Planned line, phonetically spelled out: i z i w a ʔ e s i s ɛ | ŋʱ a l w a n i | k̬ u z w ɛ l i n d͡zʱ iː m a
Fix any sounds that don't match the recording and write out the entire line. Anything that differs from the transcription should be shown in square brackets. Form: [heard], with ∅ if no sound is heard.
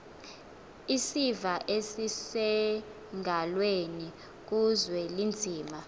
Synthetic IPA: i [s] i [v] a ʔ e s i s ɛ | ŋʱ a l w [e] n i | k̬ u z w ɛ l i n d͡zʱ iː m a